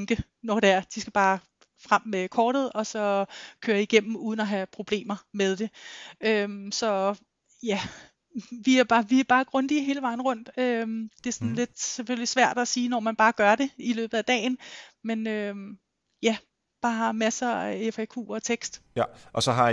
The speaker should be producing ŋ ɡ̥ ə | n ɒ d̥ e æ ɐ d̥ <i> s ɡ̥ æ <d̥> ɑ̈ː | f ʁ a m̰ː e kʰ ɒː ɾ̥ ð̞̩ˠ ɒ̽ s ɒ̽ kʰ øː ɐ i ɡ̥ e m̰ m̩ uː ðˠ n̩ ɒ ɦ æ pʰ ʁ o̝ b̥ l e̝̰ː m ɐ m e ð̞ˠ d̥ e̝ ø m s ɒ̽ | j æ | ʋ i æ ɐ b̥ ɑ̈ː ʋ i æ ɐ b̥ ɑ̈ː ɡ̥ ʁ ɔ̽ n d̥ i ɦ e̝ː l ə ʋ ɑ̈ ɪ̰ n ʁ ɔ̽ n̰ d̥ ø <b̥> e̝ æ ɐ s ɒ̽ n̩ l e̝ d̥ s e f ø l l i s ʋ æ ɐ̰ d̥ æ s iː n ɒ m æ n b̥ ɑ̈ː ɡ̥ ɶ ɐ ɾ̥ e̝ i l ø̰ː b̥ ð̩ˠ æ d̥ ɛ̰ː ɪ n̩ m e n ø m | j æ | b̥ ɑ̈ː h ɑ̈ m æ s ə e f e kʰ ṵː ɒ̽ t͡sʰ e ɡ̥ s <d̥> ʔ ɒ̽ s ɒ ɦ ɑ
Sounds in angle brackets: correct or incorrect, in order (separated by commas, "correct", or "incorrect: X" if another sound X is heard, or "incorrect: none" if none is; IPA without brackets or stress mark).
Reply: correct, incorrect: b̥, incorrect: d̥, correct